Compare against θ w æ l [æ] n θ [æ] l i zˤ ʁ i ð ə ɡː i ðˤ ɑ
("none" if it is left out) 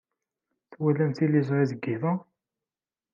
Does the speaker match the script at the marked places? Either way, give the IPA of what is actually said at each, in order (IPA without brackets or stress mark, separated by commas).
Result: æ, i